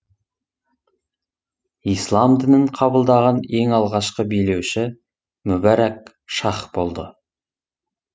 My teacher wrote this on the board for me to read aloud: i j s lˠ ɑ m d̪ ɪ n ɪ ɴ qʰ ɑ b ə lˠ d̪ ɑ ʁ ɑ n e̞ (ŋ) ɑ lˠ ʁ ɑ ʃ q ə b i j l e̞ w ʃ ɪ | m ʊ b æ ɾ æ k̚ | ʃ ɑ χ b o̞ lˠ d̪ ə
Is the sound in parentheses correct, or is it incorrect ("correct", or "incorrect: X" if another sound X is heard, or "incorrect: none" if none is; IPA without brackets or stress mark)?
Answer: correct